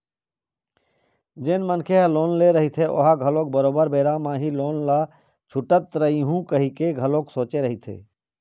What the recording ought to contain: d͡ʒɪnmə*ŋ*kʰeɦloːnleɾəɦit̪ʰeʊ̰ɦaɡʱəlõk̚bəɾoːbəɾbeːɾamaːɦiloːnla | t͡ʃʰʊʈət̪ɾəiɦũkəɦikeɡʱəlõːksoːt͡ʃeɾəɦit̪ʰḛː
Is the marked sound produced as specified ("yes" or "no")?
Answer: no